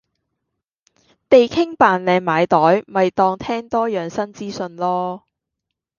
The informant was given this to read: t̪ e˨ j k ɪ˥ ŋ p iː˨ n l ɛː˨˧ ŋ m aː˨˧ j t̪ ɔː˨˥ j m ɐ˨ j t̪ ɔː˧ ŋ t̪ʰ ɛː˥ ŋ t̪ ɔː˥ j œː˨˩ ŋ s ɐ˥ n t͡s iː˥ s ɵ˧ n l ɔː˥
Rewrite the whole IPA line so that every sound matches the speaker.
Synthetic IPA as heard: t̪ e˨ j kʰ ɪ˥ ŋ p aː˨ n l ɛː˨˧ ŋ m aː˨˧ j t̪ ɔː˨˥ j m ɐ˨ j t̪ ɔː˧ ŋ t̪ʰ ɛː˥ ŋ t̪ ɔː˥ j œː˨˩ ŋ s ɐ˥ n t͡s iː˥ s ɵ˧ n l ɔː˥